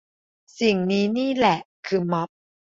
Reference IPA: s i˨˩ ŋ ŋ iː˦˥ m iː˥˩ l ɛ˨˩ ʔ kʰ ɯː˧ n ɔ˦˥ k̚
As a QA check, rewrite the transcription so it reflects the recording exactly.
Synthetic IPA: s i˨˩ ŋ n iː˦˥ n iː˥˩ l ɛ˨˩ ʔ kʰ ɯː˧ m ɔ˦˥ p̚